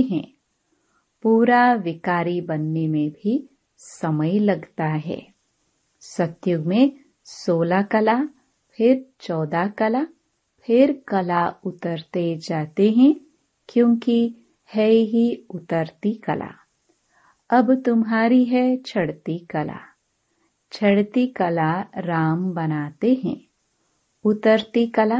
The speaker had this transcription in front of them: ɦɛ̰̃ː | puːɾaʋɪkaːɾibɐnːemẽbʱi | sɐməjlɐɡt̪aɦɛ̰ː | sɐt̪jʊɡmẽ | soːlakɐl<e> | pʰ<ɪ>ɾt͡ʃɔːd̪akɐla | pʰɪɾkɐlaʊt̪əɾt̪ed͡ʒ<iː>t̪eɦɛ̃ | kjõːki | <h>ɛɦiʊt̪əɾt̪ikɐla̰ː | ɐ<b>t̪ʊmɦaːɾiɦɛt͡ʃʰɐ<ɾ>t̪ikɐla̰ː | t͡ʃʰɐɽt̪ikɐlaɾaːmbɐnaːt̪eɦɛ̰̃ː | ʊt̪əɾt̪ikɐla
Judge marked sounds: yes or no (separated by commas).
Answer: no, yes, no, yes, yes, no